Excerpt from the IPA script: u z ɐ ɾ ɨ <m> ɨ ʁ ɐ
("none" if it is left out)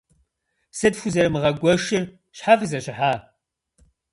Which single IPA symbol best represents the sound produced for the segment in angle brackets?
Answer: m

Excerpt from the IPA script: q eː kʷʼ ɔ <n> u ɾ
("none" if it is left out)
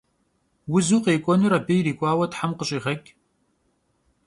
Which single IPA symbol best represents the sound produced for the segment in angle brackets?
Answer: n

